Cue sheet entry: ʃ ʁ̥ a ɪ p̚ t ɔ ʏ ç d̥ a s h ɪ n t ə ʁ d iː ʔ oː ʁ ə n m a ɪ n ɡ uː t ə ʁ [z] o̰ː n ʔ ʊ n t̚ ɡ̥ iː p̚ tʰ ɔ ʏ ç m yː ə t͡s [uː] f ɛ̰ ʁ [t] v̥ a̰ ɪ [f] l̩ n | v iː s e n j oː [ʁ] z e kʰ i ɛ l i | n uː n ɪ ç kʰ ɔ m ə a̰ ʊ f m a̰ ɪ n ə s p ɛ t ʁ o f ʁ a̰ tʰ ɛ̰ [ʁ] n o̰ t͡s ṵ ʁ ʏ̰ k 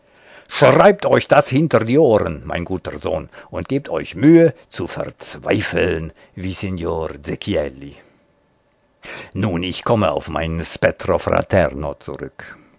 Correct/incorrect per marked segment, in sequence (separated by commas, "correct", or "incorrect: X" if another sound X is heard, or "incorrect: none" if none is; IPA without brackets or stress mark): correct, incorrect: u, incorrect: t͡s, correct, correct, correct